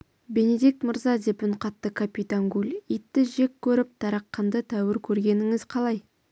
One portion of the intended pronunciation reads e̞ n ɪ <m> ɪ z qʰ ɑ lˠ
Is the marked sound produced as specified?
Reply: no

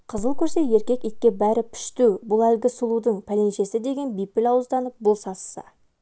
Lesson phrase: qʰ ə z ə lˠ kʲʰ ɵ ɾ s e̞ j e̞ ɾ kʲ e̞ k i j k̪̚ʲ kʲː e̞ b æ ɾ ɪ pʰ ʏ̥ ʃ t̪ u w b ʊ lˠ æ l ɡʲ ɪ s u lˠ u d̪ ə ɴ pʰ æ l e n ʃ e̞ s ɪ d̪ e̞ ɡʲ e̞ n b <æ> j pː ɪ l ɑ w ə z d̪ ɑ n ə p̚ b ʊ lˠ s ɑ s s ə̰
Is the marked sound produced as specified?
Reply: no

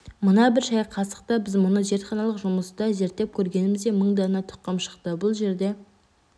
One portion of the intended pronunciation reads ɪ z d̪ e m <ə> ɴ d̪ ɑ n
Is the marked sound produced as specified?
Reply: yes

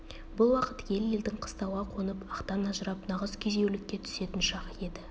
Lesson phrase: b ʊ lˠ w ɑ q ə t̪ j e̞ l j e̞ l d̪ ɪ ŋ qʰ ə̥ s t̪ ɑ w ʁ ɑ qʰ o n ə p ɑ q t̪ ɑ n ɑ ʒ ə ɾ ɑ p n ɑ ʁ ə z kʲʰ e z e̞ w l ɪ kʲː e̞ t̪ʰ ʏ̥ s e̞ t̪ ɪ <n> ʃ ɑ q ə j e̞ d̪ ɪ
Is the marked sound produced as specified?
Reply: yes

